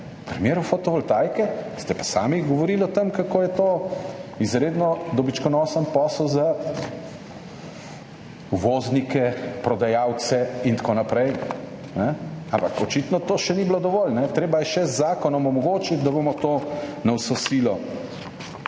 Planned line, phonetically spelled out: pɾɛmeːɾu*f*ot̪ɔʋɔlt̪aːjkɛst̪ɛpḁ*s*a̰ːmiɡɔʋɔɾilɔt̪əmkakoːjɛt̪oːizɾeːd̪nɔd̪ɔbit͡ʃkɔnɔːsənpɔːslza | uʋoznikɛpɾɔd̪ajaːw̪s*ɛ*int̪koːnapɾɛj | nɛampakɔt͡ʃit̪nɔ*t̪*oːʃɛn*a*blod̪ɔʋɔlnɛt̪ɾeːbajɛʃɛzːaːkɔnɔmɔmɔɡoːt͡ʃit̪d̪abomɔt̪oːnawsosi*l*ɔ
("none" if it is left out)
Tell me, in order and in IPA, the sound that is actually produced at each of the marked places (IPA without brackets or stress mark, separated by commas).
f, s, ɛ, t̪, i, l